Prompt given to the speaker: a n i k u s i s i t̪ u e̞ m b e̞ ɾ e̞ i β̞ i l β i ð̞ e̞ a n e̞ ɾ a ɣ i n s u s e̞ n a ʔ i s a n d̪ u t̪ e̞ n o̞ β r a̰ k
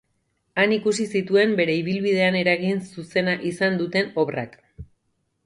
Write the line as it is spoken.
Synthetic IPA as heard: a n i k u s i s i t̪ u e̞ m b e̞ ɾ e̞ i β̞ i l β i ð̞ e̞ a n e̞ ɾ a ɣ i n s u s e̞ n a ʔ i s a n d̪ u t̪ e̞ n o̞ β r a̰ k